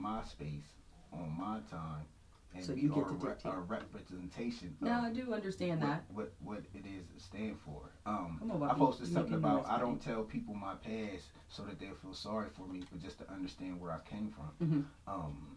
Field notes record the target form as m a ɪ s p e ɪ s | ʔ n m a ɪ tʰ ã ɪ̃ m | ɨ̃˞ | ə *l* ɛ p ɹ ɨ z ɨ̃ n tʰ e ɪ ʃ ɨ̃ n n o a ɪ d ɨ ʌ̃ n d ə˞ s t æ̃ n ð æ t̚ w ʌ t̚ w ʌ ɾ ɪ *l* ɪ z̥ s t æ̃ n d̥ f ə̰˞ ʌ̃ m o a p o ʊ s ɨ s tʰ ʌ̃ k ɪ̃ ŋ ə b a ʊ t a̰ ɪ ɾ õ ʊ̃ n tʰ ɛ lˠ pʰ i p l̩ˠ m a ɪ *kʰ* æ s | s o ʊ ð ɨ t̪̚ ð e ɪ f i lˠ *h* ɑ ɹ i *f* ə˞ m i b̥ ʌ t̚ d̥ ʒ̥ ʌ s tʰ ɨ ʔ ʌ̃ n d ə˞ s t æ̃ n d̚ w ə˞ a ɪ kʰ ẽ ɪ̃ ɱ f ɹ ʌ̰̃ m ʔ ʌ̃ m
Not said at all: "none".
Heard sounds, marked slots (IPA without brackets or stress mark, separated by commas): ɹ, ɾ, pʰ, s, f